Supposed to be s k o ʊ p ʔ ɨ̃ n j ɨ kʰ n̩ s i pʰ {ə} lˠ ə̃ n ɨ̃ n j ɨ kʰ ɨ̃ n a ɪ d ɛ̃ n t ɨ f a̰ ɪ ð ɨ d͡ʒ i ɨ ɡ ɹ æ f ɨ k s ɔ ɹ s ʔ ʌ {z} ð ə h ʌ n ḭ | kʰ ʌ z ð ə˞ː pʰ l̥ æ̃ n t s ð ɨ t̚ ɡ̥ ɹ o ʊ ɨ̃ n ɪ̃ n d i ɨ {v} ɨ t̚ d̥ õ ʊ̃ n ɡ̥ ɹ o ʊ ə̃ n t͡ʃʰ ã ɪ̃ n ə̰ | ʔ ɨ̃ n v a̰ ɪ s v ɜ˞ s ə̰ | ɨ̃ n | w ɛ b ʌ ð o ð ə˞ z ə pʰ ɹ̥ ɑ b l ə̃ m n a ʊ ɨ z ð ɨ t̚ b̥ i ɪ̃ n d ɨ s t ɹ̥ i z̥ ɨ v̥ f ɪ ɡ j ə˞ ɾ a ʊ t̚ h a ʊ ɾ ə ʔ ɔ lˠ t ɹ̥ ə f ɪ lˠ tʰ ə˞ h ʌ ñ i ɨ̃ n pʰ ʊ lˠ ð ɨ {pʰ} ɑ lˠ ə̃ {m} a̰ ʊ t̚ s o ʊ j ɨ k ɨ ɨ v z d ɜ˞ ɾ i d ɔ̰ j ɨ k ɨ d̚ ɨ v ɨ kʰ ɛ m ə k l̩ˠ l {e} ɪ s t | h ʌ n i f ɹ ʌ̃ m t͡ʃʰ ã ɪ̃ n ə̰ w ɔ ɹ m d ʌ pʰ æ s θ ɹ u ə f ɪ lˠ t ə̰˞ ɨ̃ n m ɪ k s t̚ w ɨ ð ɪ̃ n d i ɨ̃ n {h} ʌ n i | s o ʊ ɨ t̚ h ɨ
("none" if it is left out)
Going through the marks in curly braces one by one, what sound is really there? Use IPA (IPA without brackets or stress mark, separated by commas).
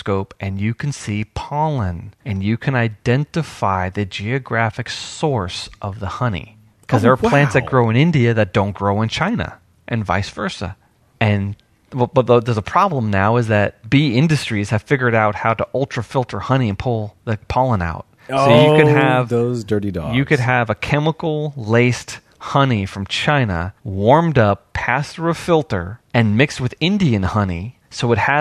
ɑ, v, ð, pʰ, n, e, h